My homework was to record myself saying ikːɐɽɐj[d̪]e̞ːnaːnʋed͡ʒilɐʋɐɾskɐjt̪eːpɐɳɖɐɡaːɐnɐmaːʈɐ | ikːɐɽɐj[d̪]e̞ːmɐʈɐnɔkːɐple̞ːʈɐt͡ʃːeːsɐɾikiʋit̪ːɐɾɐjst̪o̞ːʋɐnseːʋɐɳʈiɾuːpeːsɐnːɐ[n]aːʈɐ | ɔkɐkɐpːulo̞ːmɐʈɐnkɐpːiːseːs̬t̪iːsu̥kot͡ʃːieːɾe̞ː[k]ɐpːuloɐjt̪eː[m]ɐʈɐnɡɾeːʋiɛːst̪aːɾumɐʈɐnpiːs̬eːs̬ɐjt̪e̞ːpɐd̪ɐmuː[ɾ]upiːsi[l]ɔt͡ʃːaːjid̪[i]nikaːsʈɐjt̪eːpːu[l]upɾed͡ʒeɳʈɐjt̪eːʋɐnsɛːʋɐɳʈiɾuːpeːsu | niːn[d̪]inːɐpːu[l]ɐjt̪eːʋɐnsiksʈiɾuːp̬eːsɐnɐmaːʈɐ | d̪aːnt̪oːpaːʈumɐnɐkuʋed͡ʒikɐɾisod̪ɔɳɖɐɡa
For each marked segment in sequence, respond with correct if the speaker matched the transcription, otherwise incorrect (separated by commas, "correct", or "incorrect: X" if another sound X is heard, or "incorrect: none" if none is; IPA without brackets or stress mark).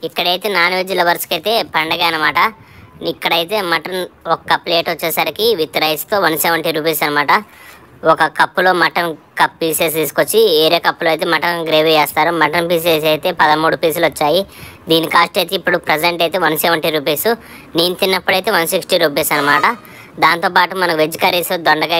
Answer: incorrect: t̪, incorrect: t̪, incorrect: m, correct, correct, incorrect: ɽ, correct, incorrect: iː, incorrect: ɽ, incorrect: t̪, incorrect: ɽ